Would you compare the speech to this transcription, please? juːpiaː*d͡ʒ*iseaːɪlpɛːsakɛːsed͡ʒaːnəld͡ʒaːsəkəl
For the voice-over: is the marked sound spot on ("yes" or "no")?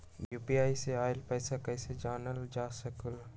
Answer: no